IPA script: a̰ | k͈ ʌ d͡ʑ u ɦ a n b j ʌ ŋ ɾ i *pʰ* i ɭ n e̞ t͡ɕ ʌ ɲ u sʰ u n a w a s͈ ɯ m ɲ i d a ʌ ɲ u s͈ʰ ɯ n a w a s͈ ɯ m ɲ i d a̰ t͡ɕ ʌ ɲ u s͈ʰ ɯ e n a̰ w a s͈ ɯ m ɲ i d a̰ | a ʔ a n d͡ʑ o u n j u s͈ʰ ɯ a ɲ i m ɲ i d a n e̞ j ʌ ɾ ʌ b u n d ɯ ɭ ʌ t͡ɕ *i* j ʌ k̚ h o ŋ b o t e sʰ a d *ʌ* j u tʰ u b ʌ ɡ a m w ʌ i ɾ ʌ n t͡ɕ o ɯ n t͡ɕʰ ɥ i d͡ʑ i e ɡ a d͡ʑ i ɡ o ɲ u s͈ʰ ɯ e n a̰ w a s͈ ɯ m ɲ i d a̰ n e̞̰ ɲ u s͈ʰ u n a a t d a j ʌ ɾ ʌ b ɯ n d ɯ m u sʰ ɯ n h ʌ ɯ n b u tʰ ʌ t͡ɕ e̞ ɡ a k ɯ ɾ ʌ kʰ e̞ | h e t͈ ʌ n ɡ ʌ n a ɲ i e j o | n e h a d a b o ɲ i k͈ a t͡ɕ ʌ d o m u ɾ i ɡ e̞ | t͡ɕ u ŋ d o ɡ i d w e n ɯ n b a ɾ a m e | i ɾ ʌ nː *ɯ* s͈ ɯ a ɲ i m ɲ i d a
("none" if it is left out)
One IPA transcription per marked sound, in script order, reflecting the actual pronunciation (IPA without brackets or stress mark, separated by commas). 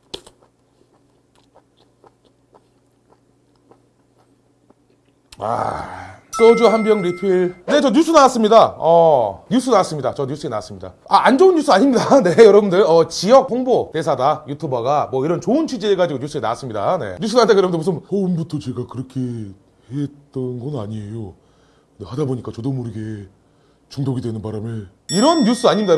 pʰ, i, a, u